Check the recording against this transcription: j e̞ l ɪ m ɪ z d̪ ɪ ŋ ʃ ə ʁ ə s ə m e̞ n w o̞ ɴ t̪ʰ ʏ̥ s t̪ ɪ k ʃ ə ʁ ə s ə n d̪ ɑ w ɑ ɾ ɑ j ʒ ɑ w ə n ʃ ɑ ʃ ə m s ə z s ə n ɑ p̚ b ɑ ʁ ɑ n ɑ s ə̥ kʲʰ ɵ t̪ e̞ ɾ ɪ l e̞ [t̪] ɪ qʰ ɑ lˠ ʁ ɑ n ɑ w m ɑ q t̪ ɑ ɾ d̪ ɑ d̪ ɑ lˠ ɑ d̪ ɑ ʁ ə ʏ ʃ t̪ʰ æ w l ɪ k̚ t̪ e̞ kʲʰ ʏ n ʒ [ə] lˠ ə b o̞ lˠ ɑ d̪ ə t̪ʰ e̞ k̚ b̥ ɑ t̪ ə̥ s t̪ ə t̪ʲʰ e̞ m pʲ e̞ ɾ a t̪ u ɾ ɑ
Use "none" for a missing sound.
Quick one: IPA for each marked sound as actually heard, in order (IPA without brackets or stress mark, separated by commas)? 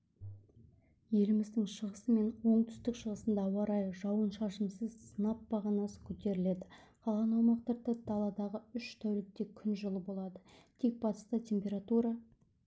d̪, ə